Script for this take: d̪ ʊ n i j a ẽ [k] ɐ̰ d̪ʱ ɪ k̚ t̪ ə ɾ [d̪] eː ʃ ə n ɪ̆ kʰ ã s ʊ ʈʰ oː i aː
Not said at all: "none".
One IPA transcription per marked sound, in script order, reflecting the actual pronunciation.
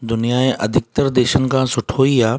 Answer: ʔ, d̪

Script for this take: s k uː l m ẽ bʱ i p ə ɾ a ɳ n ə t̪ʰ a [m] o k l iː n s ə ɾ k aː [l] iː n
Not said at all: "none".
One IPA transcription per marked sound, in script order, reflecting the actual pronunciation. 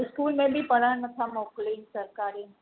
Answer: m, ɾ

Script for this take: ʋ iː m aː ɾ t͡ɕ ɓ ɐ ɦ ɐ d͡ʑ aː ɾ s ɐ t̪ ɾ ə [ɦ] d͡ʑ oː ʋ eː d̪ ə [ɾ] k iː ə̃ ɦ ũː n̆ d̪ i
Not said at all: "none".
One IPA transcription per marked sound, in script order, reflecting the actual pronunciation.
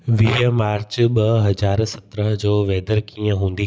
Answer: ɦ, ɾ

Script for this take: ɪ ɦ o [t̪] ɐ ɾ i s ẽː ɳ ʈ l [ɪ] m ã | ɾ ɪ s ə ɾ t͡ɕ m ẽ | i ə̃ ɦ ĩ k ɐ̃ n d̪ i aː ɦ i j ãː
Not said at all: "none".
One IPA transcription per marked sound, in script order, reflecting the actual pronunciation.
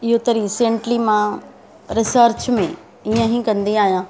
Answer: t̪, i

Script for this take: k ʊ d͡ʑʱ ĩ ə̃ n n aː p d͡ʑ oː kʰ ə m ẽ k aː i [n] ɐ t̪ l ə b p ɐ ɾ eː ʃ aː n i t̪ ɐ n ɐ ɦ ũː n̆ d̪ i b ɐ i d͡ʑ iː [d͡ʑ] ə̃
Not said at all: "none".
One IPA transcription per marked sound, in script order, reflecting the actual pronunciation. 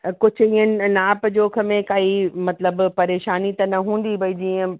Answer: m, none

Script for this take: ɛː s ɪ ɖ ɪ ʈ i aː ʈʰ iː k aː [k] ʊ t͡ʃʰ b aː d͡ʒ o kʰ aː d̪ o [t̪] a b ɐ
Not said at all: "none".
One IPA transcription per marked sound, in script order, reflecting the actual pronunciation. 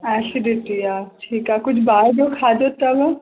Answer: k, t̪

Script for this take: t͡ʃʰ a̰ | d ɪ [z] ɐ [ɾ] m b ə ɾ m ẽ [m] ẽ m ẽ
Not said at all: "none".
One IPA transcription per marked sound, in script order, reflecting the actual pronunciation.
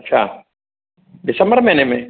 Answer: s, none, n

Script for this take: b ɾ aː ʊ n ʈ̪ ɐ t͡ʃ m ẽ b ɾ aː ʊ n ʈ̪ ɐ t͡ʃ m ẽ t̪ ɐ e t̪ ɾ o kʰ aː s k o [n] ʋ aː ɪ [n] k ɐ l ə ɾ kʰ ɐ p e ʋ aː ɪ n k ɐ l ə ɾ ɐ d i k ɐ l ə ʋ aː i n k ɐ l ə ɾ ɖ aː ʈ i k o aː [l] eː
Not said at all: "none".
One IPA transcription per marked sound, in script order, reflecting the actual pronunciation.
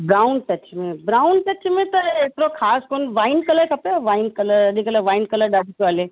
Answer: n, n, l

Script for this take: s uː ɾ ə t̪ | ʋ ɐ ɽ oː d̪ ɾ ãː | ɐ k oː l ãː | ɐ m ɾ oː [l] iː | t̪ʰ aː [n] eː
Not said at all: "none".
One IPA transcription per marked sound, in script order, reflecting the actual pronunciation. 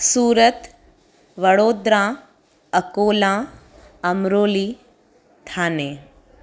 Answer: l, n

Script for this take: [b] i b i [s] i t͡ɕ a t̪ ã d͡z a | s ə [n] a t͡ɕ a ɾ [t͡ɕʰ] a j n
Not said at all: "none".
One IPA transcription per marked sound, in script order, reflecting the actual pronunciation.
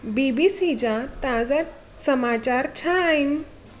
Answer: b, s, m, t͡ɕʰ

